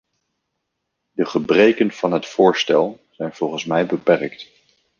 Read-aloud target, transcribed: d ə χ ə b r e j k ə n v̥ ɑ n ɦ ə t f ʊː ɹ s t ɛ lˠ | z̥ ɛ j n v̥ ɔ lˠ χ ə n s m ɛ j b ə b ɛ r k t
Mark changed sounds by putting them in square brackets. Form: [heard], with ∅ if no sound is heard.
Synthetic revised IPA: d ə χ ə b r e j k ə n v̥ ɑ n ɦ ə t f ʊː ɹ s t ɛ lˠ | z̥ ɛ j n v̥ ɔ lˠ χ ə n s m ɛ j b ə [p] ɛ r k t